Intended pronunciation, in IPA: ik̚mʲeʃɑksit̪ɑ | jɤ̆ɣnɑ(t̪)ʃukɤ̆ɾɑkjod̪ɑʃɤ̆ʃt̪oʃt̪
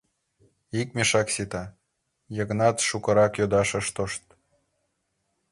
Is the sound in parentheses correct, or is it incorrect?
correct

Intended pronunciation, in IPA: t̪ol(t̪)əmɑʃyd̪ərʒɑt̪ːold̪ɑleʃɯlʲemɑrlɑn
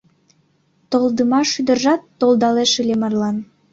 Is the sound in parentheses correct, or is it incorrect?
incorrect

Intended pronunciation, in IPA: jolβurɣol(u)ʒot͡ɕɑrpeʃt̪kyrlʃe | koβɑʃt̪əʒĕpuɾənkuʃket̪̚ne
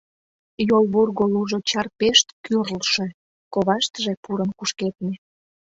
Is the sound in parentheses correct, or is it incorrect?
correct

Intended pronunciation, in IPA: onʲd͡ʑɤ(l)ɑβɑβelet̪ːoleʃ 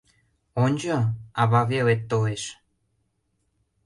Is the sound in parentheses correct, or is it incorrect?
incorrect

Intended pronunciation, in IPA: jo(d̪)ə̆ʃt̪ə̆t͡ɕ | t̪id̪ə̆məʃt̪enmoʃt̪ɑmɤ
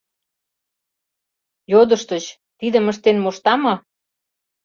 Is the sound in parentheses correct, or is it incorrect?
correct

